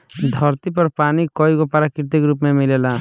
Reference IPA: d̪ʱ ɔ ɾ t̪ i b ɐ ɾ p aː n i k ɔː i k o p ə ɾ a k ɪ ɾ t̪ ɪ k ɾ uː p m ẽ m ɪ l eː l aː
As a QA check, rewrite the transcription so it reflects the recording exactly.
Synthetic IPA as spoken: d̪ʱ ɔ ɾ t̪ i p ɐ ɾ p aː n i k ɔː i k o p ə ɾ a k ɪ ɾ t̪ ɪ k ɾ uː p m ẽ m ɪ l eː l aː